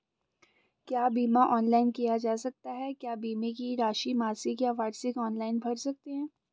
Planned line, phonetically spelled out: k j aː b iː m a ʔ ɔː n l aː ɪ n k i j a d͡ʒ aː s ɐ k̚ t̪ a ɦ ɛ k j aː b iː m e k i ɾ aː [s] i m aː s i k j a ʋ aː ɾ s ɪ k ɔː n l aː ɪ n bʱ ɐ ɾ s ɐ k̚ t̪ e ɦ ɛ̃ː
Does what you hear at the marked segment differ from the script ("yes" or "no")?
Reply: yes